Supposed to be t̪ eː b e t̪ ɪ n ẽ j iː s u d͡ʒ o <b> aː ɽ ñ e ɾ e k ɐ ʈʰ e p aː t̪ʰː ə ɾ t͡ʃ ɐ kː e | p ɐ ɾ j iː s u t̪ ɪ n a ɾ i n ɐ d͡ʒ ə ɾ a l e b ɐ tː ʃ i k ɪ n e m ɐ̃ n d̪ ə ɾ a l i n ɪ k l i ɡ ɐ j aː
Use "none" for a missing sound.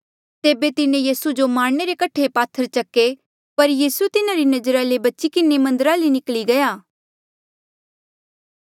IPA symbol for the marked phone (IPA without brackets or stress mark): m